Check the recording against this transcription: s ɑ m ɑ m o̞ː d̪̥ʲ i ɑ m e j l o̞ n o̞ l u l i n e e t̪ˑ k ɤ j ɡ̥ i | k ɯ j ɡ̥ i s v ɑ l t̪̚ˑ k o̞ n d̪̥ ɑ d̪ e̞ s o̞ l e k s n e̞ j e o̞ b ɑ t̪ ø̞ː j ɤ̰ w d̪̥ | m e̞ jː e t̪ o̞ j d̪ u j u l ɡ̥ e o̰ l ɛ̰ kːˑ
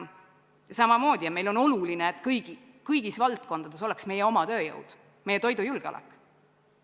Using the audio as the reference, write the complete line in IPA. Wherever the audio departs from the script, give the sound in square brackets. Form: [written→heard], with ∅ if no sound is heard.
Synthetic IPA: s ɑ m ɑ m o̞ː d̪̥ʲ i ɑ m e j l o̞ n o̞ l u l i n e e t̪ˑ k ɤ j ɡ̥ i | k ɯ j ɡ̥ i s v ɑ l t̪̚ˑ k o̞ n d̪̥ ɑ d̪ e̞ s o̞ l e k s [n→m] e̞ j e o̞ [b→m] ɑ t̪ ø̞ː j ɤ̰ w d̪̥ | m e̞ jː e t̪ o̞ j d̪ u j u l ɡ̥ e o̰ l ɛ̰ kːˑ